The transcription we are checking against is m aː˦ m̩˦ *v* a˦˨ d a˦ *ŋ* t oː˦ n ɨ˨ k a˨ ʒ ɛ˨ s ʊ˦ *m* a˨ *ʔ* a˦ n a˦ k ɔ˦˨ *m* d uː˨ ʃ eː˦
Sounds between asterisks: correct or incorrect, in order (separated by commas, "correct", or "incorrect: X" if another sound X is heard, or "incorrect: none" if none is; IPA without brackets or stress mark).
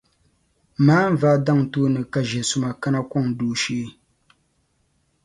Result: correct, correct, correct, incorrect: k, incorrect: ŋ